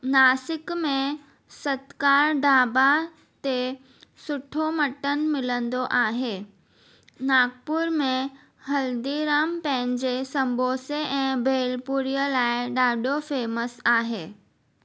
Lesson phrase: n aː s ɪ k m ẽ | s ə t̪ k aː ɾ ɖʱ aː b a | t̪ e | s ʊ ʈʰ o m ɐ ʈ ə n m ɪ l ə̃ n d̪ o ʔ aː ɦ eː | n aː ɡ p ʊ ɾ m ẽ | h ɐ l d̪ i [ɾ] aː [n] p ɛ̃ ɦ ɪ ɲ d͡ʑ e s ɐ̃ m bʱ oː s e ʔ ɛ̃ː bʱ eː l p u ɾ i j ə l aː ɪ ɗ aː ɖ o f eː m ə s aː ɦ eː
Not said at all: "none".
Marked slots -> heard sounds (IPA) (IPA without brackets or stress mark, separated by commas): ɾ, m